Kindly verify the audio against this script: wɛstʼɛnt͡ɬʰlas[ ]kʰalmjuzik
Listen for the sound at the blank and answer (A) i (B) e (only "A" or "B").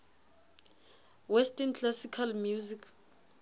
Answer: A